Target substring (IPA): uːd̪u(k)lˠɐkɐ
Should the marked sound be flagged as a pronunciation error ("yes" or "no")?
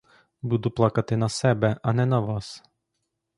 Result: yes